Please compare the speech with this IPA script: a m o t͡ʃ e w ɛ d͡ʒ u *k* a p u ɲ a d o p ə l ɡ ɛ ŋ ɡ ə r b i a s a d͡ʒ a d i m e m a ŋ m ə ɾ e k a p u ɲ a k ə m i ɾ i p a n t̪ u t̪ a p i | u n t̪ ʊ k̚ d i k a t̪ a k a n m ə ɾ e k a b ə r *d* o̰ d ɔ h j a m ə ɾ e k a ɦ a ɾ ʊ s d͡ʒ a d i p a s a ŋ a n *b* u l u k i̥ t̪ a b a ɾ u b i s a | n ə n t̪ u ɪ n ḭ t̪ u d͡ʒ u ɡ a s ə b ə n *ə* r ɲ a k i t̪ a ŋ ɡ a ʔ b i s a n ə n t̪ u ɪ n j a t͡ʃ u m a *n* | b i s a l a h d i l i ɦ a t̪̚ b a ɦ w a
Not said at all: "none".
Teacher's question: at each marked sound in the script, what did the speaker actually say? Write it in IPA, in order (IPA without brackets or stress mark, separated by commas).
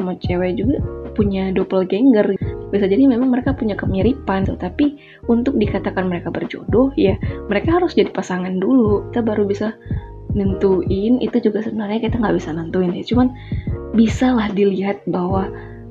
ɡ, d͡ʒ, d, a, n